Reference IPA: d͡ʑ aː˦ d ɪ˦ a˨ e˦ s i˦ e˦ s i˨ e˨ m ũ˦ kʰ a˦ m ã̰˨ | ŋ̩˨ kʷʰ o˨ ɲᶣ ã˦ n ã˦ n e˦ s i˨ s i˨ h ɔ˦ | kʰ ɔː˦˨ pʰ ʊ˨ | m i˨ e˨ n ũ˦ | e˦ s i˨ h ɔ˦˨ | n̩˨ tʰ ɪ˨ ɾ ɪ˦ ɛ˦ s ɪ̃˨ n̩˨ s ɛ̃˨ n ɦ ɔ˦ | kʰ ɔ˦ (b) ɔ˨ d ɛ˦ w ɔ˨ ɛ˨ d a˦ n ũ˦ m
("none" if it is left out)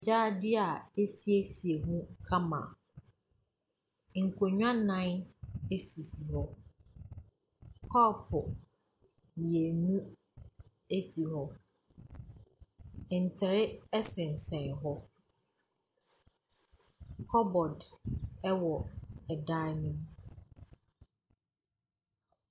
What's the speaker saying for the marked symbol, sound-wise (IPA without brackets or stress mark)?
b